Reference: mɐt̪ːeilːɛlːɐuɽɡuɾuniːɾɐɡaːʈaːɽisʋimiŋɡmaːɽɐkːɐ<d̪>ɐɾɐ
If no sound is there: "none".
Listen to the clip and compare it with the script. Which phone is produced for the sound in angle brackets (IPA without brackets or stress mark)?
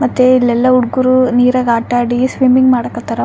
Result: t̪